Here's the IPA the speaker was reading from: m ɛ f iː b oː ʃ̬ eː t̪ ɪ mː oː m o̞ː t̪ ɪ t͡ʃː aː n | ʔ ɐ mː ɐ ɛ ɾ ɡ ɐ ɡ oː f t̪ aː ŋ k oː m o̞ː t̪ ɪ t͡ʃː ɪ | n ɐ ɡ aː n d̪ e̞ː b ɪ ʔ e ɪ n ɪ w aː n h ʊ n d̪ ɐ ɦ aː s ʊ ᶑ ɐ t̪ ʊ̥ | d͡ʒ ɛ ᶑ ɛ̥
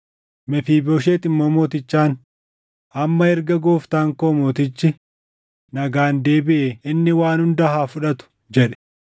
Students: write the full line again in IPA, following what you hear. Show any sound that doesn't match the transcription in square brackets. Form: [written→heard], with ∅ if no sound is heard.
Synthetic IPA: m ɛ f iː b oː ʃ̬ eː t̪ ɪ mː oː m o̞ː t̪ ɪ t͡ʃː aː n | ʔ ɐ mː ɐ ɛ ɾ ɡ ɐ ɡ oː f t̪ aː ŋ k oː m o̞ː t̪ ɪ t͡ʃː ɪ | n ɐ ɡ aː n d̪ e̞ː b ɪ ʔ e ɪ [n→nː] ɪ w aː n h ʊ n d̪ ɐ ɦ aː [s→f] ʊ ᶑ ɐ t̪ ʊ̥ | d͡ʒ ɛ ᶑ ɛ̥